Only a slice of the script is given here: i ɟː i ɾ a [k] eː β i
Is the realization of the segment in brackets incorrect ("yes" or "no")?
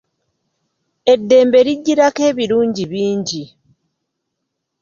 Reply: no